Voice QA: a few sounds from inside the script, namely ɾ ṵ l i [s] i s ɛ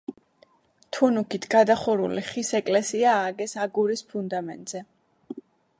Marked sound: incorrect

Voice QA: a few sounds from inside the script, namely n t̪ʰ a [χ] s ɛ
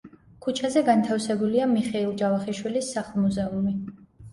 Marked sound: incorrect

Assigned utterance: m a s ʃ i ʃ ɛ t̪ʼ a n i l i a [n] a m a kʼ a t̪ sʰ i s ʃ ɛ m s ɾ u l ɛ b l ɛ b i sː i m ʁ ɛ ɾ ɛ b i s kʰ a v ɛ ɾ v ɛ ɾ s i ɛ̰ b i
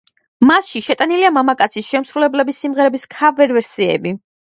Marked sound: incorrect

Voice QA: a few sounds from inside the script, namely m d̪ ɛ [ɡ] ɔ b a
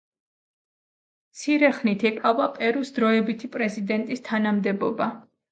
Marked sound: incorrect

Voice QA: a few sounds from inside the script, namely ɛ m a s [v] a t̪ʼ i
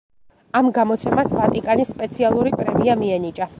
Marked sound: correct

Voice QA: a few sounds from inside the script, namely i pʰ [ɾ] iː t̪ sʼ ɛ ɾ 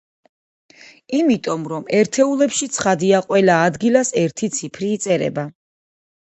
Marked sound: correct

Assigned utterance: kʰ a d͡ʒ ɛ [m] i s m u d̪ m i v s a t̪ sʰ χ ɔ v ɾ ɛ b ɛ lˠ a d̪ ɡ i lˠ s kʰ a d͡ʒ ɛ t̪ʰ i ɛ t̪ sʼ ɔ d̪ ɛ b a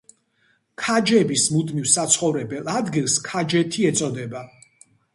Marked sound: incorrect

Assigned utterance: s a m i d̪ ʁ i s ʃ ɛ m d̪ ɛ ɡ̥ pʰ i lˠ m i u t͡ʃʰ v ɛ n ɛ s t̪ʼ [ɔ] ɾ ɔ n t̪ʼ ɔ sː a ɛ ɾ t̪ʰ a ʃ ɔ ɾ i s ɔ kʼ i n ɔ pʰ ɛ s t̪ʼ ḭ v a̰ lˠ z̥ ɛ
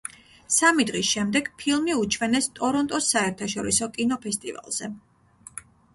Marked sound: correct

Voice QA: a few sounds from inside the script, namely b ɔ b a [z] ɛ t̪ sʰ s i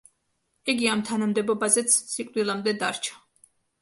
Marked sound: correct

